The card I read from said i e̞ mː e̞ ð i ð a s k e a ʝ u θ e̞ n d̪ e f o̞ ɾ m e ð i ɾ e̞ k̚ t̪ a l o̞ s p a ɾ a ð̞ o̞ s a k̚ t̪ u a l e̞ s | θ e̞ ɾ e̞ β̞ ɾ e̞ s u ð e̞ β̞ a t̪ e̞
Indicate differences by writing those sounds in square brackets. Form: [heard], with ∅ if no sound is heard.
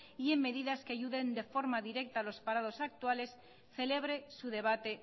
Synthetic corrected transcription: i e̞ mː e̞ ð i ð a s k e a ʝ u [ð] e̞ n d̪ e f o̞ ɾ m [a] ð i ɾ e̞ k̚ t̪ a l o̞ s p a ɾ a ð̞ o̞ s a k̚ t̪ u a l e̞ s | θ e̞ [l] e̞ β̞ ɾ e̞ s u ð e̞ β̞ a t̪ e̞